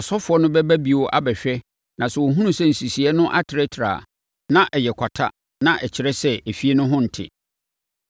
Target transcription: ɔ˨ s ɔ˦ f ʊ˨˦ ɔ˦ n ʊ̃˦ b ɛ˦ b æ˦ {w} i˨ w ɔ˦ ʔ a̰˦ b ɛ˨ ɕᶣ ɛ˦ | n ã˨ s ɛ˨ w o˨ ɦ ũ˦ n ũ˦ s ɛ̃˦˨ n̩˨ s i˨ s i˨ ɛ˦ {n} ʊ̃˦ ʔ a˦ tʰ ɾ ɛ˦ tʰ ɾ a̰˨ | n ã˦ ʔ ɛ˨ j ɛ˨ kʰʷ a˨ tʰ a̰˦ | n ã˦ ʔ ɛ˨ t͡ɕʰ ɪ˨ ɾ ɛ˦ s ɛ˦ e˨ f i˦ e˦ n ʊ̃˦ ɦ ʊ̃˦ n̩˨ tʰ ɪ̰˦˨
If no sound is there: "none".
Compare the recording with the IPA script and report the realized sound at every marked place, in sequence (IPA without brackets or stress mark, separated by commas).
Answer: b, n